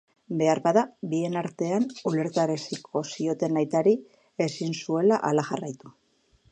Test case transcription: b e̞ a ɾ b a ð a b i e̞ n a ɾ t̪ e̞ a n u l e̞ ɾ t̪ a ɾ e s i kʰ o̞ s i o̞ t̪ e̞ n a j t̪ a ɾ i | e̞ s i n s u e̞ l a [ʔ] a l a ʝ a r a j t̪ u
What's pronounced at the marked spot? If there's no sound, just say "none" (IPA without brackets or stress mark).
ʔ